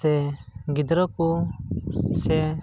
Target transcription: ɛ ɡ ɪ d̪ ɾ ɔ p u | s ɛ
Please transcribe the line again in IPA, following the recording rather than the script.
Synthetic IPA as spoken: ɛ ɡ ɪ d̪ ɾ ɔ k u | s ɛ